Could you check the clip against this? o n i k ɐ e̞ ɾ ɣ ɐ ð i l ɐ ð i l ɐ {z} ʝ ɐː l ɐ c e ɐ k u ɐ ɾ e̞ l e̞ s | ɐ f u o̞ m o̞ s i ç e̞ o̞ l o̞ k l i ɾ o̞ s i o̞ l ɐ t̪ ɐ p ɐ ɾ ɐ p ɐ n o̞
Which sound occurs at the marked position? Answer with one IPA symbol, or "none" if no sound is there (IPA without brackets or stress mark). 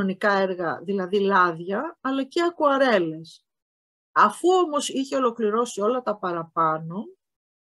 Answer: ð